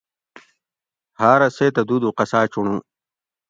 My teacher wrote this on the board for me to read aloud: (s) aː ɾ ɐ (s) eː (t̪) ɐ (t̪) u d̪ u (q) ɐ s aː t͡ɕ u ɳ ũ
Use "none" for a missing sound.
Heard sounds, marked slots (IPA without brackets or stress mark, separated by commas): h, s, t̪, d̪, q